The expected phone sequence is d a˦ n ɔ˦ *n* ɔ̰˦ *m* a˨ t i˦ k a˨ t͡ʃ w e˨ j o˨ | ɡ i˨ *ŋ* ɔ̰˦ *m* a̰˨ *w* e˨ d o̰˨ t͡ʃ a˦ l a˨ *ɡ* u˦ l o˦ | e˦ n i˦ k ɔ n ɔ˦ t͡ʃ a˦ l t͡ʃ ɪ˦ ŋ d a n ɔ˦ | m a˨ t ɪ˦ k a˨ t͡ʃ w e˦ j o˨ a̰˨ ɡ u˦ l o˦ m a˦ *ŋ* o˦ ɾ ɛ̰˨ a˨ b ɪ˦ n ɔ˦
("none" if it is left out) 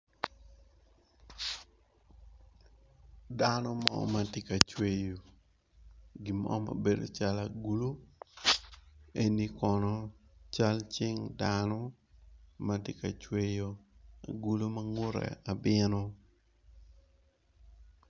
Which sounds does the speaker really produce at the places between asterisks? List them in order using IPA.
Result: m, m, m, m, b, ɡ, ŋ

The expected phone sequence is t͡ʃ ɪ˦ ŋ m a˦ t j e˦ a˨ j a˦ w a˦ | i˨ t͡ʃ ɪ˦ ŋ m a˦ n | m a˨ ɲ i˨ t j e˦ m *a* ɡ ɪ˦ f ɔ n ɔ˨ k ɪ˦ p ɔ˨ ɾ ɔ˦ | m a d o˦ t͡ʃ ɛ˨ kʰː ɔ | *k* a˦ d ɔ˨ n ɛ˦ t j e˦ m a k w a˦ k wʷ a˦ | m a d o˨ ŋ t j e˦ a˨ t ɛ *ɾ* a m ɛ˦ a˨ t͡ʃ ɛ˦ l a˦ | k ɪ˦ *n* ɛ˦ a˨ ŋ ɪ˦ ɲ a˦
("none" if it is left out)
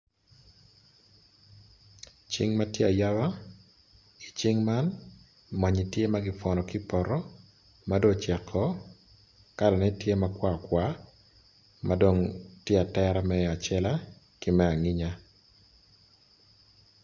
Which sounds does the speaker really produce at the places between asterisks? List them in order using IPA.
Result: a, k, ɾ, m

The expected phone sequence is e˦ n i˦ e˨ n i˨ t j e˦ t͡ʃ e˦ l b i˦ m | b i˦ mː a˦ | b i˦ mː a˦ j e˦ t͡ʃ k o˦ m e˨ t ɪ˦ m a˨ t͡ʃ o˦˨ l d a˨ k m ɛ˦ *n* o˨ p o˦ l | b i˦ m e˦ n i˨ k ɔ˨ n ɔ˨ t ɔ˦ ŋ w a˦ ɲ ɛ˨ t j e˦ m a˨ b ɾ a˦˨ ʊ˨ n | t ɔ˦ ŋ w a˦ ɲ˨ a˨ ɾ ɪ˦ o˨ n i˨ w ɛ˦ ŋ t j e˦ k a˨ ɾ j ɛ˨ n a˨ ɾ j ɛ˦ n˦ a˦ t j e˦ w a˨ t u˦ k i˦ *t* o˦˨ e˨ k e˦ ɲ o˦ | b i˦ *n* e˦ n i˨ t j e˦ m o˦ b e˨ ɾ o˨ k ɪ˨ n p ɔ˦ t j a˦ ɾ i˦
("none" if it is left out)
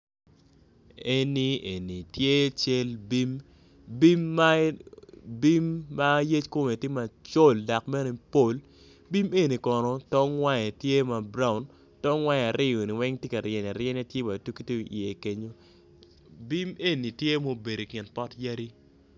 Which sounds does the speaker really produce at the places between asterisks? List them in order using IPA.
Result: n, t, m

